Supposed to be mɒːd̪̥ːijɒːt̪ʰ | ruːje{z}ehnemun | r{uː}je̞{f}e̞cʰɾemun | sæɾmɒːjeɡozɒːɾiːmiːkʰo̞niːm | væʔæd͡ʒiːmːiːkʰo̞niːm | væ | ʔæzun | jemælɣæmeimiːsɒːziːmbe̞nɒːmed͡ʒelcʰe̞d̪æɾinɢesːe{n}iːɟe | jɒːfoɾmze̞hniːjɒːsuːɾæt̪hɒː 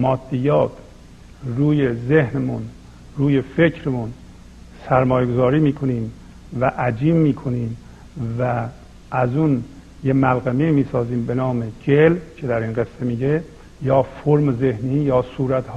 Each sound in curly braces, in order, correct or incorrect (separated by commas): correct, correct, correct, incorrect